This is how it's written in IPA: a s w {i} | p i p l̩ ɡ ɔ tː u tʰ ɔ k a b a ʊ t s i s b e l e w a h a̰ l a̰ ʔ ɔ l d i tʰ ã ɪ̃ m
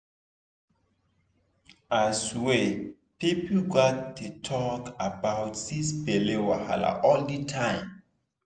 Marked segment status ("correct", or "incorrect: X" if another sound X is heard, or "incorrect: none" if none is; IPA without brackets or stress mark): incorrect: e